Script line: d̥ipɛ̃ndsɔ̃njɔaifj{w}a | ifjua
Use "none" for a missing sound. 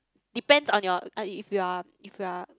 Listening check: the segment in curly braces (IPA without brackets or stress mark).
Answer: u